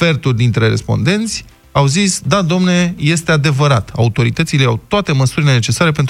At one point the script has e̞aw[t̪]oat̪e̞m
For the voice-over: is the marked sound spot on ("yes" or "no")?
yes